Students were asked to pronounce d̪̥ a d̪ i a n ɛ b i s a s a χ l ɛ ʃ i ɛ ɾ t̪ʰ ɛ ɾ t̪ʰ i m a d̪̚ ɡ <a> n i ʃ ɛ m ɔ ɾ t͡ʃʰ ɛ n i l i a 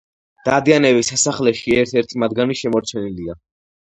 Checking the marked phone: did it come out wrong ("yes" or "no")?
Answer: no